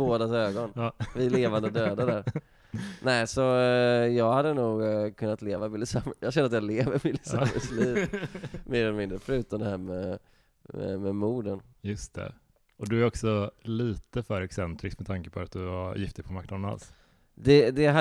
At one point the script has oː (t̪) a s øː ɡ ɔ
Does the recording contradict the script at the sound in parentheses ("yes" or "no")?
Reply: yes